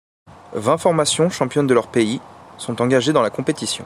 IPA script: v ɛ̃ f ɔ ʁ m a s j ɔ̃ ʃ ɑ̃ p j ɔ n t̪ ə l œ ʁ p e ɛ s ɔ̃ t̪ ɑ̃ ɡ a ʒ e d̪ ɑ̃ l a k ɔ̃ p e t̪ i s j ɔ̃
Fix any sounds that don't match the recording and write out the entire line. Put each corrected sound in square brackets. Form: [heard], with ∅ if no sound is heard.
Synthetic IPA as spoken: v ɛ̃ f ɔ ʁ m a s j ɔ̃ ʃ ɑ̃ p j ɔ n [d̪] ə l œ ʁ p e [i] s ɔ̃ t̪ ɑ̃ ɡ a ʒ e d̪ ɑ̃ l a k ɔ̃ p e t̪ i s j ɔ̃